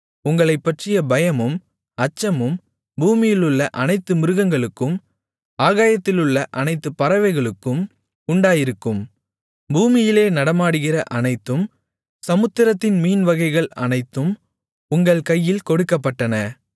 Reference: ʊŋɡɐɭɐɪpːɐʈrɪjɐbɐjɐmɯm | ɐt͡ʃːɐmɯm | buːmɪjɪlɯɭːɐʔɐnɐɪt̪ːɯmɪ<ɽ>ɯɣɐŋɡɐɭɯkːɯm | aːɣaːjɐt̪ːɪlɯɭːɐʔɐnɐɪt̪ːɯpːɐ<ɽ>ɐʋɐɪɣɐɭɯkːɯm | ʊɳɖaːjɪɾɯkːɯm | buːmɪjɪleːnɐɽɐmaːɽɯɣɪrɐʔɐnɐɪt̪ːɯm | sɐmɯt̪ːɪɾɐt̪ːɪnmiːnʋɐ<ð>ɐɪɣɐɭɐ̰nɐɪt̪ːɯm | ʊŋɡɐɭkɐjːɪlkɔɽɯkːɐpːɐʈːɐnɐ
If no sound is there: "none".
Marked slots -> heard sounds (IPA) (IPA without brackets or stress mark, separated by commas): ɾ, ɾ, ɣ